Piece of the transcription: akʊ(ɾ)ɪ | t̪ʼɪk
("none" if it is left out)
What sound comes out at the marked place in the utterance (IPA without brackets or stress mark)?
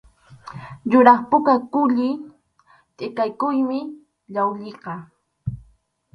ʎ